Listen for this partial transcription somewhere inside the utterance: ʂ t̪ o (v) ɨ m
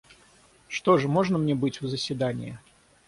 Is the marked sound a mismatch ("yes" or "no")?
yes